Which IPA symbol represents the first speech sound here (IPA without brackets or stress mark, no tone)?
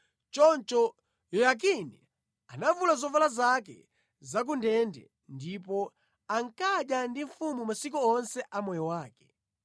t͡ʃ